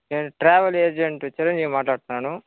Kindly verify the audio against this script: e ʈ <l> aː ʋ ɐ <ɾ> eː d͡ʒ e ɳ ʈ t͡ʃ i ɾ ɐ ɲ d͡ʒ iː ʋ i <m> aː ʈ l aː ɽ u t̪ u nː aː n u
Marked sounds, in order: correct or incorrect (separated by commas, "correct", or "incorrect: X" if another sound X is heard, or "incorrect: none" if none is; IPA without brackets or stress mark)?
incorrect: ɾ, incorrect: l, correct